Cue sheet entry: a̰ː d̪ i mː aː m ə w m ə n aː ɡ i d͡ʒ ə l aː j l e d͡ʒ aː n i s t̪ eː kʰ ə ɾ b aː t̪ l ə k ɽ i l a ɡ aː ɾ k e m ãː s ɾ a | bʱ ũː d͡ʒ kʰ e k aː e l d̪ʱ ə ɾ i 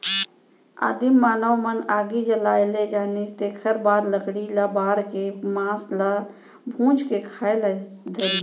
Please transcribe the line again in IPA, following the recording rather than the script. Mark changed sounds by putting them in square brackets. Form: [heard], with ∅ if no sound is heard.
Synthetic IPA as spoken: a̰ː d̪ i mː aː [n] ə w m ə n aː ɡ i d͡ʒ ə l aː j l e d͡ʒ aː n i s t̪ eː kʰ ə ɾ b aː [d̪] l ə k ɽ i l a [b] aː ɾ k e m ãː s [l] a | bʱ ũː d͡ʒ [k] e [kʰ] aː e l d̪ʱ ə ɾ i